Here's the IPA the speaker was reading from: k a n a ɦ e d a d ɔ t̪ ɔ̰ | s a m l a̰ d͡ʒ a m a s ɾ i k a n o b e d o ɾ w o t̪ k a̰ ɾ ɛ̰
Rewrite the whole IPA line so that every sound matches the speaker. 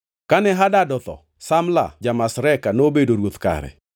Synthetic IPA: k a n ɛ ɦ a d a d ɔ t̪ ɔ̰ | s a m l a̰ d͡ʒ a m a s ɾ ɛ k a n o b e d o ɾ w o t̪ k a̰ ɾ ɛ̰